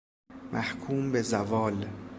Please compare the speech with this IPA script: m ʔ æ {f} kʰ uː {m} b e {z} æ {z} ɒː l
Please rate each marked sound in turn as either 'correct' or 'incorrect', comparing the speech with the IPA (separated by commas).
incorrect, correct, correct, incorrect